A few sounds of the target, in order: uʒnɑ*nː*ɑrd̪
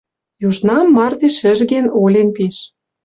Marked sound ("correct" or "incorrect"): incorrect